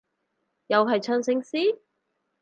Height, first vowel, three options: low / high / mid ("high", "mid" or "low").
low